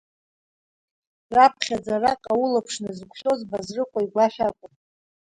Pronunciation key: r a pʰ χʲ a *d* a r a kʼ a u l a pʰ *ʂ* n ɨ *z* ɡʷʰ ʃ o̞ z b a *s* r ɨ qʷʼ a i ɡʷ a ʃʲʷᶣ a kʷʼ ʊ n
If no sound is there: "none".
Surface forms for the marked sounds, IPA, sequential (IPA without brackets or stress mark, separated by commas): d͡z, ʂ, z, z